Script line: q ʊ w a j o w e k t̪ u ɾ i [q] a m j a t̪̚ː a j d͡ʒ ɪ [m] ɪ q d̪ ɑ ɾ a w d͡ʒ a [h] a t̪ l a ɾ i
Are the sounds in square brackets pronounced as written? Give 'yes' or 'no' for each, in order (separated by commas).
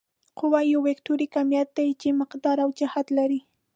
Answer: no, yes, yes